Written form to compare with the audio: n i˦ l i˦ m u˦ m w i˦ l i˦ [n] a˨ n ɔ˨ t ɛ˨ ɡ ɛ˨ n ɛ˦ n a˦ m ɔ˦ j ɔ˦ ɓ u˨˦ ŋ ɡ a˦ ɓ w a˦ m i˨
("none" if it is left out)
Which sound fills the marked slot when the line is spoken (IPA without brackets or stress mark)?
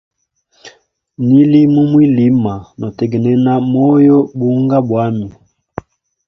m